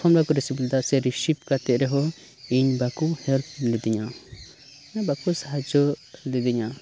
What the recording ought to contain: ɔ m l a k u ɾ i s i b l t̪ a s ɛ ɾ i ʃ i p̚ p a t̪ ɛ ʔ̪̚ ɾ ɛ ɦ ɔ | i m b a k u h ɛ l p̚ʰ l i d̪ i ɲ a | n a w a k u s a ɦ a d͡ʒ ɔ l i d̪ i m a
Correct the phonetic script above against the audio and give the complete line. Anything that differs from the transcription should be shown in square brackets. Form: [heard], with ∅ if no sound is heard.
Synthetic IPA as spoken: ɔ m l a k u ɾ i s i b l [d̪] a s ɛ ɾ i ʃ i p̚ [k] a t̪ ɛ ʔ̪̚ ɾ ɛ ɦ ɔ | i [ɲ] b a k u h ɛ l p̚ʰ l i d̪ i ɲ a | n a [b] a k u s a ɦ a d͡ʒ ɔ l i d̪ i [ɲ] a